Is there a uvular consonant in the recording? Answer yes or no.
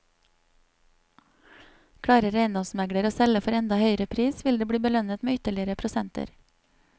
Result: no